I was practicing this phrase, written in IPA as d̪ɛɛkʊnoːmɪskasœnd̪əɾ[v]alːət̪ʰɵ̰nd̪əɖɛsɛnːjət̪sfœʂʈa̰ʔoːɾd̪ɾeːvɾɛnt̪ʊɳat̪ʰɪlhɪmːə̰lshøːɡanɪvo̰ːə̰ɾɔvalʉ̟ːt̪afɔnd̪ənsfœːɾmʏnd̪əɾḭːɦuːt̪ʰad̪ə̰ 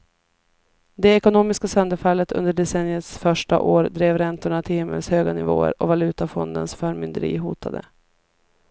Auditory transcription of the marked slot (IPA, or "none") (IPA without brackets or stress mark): f